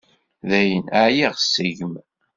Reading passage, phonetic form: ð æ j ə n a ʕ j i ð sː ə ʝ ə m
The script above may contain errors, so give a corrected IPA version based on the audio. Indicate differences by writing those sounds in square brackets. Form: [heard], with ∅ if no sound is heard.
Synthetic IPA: ð æ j ə n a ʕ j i [ʁ] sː ə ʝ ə m